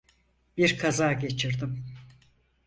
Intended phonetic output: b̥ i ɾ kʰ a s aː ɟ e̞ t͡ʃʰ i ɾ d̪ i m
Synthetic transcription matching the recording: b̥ i ɾ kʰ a z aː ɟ e̞ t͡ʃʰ i ɾ d̪ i m

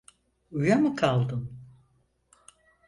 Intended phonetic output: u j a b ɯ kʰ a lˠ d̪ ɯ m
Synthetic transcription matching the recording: u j a m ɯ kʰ a lˠ d̪ ɯ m

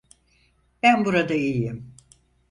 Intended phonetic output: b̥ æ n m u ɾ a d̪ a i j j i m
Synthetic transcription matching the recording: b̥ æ n b u ɾ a d̪ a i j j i m

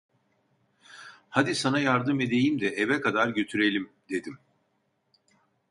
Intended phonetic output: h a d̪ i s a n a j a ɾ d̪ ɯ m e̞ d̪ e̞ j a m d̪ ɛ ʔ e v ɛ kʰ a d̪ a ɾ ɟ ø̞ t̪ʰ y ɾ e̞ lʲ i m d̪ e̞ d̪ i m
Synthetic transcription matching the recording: h a d̪ i s a n a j a ɾ d̪ ɯ m e̞ d̪ e̞ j i m d̪ ɛ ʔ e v ɛ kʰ a d̪ a ɾ ɟ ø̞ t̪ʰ y ɾ e̞ lʲ i m d̪ e̞ d̪ i m

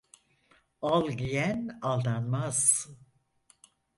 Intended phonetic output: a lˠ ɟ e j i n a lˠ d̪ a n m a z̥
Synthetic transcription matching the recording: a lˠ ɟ i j æ n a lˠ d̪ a n m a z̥

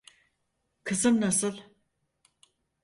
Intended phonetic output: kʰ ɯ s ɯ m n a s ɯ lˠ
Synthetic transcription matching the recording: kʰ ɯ z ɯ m n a s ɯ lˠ

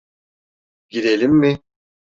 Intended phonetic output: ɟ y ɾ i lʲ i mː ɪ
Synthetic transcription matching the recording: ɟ i ɾ e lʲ i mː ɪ

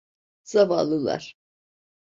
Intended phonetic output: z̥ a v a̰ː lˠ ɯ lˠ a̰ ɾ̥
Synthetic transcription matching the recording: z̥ a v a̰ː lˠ ɯ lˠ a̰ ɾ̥

